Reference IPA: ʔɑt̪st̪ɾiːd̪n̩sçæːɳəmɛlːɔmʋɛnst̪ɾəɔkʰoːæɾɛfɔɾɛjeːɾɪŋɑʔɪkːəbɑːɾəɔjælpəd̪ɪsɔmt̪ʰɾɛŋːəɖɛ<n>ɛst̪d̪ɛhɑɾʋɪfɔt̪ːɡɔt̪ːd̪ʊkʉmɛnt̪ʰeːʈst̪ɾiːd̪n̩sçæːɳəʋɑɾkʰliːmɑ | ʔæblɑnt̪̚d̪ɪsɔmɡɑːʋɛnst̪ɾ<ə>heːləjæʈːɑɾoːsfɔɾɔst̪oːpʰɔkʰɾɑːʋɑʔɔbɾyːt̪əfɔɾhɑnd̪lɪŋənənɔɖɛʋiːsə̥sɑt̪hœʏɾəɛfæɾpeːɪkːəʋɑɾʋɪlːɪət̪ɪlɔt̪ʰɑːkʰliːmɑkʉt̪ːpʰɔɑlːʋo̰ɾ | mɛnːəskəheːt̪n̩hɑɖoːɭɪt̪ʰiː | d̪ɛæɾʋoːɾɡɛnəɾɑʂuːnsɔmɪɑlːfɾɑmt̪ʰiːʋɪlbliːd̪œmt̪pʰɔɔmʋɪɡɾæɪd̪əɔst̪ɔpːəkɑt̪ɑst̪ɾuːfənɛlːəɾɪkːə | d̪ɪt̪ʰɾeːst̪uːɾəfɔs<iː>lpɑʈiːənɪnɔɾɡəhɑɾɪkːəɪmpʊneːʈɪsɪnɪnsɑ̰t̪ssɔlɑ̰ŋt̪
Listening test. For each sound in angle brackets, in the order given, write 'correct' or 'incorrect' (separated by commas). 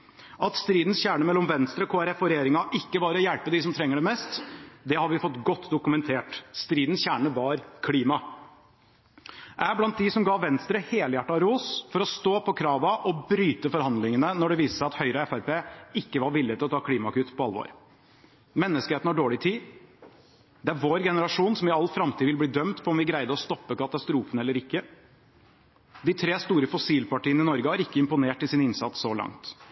incorrect, correct, correct